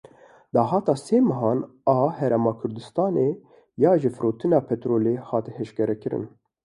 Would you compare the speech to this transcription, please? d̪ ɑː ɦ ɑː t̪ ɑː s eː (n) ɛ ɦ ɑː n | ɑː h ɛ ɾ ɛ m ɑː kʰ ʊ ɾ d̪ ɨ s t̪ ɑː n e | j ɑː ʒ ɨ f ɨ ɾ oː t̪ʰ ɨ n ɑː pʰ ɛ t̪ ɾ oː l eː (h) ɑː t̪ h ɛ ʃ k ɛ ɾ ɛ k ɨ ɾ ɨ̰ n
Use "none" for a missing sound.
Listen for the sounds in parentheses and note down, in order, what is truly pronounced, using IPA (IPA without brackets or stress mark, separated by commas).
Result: m, h